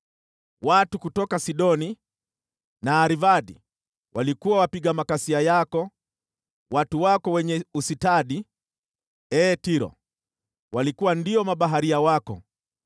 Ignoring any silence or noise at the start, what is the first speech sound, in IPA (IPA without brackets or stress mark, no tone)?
w